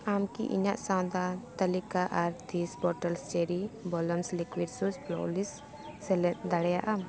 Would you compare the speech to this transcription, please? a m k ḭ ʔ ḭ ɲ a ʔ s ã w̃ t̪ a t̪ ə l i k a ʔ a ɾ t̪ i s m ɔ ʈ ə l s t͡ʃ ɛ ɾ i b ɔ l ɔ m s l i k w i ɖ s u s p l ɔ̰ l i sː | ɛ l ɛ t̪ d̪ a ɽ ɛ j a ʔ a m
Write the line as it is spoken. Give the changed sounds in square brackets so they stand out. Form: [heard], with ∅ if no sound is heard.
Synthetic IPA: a m k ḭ ʔ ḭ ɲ a ʔ s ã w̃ [d̪] a t̪ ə l i k a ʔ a ɾ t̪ i s [b] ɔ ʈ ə l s t͡ʃ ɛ ɾ i b ɔ l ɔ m s l i k w i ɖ s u s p l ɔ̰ l i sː | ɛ l ɛ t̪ d̪ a ɽ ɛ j a ʔ a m